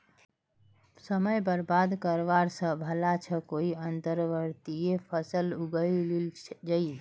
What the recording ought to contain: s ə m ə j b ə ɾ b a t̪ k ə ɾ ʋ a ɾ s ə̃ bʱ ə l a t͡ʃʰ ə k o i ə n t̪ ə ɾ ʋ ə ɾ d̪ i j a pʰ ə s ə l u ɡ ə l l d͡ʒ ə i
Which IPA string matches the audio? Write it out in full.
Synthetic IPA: s ə m ə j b ə ɾ b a d̪ k ə ɾ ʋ a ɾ s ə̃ bʱ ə l a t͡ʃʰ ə k o i ə n t̪ ə ɾ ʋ ə ɾ t̪ i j e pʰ ə s ə l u ɡ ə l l d͡ʒ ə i